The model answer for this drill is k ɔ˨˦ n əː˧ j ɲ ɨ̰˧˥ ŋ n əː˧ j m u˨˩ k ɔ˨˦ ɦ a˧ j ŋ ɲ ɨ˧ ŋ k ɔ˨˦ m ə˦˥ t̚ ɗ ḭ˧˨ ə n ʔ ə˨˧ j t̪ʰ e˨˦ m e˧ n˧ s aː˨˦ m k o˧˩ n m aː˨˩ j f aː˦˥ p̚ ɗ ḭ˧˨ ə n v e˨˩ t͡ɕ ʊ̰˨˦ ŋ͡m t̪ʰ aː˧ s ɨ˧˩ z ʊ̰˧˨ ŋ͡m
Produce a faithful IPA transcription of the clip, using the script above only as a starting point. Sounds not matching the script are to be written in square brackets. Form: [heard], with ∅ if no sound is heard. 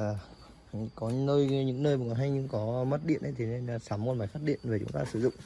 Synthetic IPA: k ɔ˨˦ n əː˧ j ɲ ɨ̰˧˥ ŋ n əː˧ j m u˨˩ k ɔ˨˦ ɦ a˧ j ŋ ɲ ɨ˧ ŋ k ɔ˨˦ m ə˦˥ t̚ ɗ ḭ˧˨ ə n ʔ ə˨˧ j t̪ʰ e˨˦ [n] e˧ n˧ s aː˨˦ m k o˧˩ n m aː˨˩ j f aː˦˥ [t̚] ɗ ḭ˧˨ ə n v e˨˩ t͡ɕ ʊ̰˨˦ ŋ͡m [t̪] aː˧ s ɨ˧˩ z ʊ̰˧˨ ŋ͡m